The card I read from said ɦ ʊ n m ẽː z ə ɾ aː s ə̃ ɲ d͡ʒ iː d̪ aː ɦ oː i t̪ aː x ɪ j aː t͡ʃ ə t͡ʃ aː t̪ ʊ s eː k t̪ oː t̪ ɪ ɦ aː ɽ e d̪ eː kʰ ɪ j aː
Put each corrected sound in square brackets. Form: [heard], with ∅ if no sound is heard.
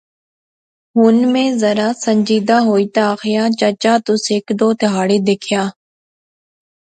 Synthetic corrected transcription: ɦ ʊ n m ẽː z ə ɾ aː s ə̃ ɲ d͡ʒ iː d̪ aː ɦ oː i t̪ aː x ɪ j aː t͡ʃ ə t͡ʃ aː t̪ ʊ s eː k [d̪] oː t̪ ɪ ɦ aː ɽ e d̪ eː kʰ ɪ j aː